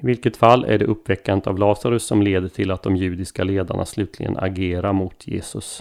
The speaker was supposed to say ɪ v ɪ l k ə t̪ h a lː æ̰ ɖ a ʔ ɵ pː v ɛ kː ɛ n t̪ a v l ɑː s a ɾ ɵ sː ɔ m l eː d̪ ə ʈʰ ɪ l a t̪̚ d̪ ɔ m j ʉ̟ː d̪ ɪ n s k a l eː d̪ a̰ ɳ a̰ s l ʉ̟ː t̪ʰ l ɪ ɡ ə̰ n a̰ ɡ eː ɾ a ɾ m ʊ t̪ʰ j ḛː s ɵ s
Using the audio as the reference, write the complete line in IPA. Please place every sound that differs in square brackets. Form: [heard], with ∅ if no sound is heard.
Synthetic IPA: ɪ v ɪ l k ə t̪ [f] a lː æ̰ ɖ [ɛ] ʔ ɵ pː v ɛ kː [a] n t̪ a v l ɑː s a ɾ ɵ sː ɔ m l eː d̪ ə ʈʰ ɪ l a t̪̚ d̪ ɔ m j ʉ̟ː d̪ ɪ [∅] s k a l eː d̪ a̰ ɳ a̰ s l ʉ̟ː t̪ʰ l ɪ ɡ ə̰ n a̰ ɡ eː ɾ a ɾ m ʊ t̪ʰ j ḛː s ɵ s